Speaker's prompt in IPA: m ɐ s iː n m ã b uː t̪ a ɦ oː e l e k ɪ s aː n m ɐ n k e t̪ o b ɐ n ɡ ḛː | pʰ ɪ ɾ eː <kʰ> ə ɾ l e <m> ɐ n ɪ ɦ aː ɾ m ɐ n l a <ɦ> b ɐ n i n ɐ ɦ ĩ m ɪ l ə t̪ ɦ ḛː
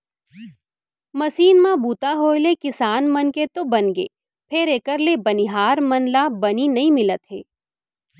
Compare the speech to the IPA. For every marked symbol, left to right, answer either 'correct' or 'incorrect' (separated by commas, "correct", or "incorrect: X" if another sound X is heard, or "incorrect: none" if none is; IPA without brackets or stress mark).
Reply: incorrect: k, incorrect: b, incorrect: none